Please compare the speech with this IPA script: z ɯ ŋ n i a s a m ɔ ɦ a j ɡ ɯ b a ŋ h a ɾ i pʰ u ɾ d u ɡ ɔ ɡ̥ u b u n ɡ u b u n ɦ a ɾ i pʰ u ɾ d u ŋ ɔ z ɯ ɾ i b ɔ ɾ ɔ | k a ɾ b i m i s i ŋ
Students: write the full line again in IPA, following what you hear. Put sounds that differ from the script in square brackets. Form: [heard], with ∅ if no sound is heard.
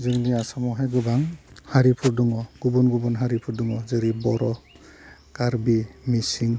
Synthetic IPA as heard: z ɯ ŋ n i a s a m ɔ ɦ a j ɡ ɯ b a ŋ h a ɾ i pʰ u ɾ d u [ŋ] ɔ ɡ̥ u b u n ɡ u b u n ɦ a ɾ i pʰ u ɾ d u ŋ ɔ z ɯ ɾ i b ɔ ɾ ɔ | k a ɾ b i m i s i ŋ